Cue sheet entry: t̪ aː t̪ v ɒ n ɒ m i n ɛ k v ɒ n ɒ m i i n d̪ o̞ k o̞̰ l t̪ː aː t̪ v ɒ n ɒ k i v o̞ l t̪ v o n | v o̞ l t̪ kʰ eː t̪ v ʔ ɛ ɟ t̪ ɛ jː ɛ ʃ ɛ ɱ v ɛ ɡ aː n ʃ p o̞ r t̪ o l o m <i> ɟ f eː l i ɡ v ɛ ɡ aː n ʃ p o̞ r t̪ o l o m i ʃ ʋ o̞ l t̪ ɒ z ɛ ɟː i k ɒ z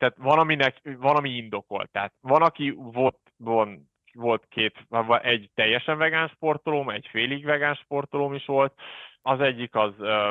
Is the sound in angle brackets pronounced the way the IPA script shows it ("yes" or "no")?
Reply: no